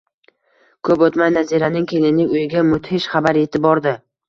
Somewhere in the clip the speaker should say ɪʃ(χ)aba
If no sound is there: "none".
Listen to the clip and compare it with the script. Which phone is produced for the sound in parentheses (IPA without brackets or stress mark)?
χ